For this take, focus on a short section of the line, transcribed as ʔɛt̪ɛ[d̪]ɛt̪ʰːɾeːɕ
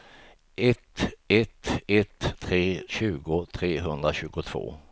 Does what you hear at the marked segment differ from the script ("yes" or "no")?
yes